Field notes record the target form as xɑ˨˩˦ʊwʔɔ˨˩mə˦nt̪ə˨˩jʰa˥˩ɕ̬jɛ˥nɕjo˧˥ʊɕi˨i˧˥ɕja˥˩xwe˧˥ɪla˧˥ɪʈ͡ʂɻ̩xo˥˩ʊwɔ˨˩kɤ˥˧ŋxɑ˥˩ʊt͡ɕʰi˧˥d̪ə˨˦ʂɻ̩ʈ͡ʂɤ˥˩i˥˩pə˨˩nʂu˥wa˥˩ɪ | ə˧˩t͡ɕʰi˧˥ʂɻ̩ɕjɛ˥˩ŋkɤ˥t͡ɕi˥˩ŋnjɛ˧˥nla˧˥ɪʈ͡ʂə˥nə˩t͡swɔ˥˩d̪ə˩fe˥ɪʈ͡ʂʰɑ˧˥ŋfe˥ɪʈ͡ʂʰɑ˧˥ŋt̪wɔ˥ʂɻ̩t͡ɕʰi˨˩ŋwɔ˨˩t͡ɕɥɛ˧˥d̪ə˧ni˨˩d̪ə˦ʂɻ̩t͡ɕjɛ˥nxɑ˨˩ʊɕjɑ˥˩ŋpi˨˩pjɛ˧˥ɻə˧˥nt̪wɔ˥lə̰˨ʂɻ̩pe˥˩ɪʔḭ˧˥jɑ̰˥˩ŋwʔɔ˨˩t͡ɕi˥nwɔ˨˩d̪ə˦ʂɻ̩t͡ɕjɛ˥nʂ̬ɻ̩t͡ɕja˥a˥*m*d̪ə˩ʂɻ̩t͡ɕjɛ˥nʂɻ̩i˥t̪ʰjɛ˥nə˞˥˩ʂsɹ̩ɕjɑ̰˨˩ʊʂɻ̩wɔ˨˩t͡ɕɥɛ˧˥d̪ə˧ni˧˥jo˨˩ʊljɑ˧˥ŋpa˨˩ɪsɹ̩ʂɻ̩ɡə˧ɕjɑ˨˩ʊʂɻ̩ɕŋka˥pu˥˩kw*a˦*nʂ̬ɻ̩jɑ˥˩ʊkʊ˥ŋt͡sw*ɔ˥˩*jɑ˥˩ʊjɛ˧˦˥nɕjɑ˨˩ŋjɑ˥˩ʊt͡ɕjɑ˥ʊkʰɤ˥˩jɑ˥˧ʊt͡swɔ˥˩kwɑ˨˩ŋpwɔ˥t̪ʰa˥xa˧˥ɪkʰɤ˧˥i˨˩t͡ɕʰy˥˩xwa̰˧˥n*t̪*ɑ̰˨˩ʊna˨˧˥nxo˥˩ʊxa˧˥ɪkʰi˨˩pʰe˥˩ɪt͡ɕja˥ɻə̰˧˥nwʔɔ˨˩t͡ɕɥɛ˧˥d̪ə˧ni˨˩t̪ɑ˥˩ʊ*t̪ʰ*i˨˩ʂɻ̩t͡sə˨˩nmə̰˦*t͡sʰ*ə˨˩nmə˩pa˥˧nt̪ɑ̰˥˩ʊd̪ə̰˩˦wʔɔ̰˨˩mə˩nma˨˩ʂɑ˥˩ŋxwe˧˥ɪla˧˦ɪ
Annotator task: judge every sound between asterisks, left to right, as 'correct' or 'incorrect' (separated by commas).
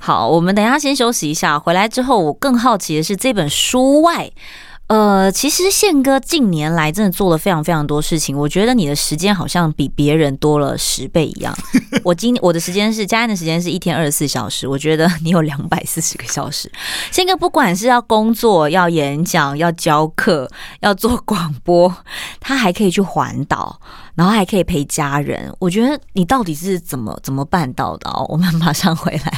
incorrect, incorrect, correct, correct, incorrect, incorrect